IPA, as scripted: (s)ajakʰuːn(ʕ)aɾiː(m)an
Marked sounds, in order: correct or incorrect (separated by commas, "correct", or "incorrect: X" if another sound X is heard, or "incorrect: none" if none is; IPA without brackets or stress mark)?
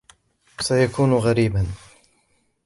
correct, incorrect: ɣ, incorrect: b